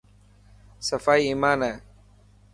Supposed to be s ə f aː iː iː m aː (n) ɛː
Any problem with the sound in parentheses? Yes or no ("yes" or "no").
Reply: no